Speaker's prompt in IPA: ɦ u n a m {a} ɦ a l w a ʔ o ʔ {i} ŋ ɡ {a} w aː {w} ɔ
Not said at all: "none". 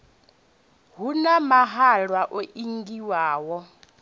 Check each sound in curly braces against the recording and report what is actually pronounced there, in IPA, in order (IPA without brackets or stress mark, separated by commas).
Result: a, i, i, w